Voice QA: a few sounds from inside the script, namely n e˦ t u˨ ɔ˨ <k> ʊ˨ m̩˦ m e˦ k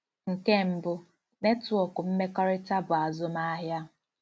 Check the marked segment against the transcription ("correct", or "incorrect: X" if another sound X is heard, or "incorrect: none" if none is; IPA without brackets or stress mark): correct